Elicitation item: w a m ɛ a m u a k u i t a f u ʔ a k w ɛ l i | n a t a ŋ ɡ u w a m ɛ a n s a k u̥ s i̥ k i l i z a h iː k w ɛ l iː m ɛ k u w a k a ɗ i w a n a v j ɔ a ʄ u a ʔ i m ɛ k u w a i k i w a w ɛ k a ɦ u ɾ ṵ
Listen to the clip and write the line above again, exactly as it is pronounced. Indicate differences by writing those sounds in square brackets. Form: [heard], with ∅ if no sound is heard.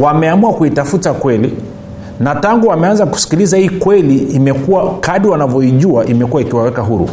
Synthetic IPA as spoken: w a m ɛ a m u a k u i t a f u [t] a k w ɛ l i | n a t a ŋ ɡ u w a m ɛ a n [z] a k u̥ s i̥ k i l i z a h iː k w ɛ l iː m ɛ k u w a k a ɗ i w a n a v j ɔ [i] ʄ u a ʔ i m ɛ k u w a i k i w a w ɛ k a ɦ u ɾ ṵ